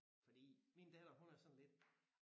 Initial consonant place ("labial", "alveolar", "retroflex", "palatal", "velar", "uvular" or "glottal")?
labial